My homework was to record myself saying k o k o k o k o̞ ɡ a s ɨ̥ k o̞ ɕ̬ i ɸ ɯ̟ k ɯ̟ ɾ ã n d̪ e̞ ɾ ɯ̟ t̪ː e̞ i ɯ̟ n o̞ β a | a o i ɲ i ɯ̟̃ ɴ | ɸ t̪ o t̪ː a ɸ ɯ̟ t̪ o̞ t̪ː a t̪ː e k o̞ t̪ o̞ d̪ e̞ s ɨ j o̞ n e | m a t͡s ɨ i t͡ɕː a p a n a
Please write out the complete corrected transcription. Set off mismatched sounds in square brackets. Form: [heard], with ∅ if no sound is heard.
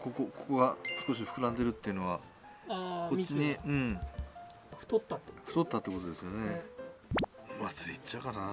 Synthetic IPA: k o k o k o k o̞ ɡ a s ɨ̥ k o̞ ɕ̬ i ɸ ɯ̟ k ɯ̟ ɾ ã n d̪ e̞ ɾ ɯ̟ t̪ː e̞ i ɯ̟ n o̞ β a | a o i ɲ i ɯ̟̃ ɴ | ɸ t̪ o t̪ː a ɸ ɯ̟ t̪ o̞ t̪ː a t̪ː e k o̞ t̪ o̞ d̪ e̞ s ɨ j o̞ n e | m a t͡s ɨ i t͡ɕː a [k] a n a